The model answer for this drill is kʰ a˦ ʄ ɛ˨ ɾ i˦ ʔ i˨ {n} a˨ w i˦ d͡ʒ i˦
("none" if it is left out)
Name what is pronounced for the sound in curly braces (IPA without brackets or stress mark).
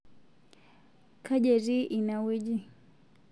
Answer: n